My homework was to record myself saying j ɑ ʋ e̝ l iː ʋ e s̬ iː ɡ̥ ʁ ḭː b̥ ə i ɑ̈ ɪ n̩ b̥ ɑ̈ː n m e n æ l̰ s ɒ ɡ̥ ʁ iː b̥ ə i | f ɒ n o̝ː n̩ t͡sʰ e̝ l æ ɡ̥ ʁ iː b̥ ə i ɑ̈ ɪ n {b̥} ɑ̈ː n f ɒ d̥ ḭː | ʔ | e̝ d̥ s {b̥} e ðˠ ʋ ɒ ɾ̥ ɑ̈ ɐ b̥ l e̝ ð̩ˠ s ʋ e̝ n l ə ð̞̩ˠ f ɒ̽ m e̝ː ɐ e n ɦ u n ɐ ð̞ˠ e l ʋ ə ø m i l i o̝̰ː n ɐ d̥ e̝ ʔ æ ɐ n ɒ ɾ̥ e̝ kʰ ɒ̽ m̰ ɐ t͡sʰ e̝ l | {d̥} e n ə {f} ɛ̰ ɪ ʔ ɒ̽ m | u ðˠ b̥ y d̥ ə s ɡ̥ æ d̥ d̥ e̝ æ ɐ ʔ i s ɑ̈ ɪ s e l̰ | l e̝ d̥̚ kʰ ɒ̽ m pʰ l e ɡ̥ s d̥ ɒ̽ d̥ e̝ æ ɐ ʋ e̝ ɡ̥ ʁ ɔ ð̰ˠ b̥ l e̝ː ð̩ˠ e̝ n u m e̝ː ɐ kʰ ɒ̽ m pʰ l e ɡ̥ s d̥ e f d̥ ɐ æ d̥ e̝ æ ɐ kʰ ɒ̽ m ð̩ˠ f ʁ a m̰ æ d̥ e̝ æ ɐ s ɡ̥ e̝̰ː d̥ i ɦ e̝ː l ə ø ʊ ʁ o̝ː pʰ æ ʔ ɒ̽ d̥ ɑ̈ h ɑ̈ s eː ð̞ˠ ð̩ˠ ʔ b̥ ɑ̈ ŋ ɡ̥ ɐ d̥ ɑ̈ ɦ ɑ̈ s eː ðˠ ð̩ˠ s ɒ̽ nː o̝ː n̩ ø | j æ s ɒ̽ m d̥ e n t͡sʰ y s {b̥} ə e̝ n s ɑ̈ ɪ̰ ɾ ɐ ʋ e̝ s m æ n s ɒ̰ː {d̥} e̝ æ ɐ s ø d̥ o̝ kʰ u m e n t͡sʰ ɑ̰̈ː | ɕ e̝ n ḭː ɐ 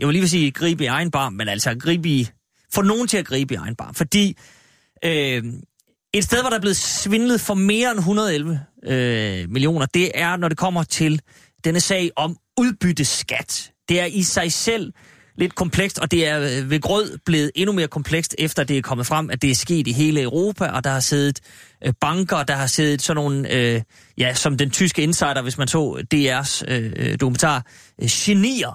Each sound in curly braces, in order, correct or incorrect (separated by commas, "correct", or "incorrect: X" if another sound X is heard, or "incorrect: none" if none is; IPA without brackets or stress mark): correct, incorrect: d̥, correct, incorrect: s, incorrect: ɡ̥, correct